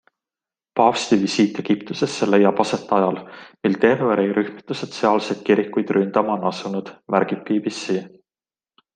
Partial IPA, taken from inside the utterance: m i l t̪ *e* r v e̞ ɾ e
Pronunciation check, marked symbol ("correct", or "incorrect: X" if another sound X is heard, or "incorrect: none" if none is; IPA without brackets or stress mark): correct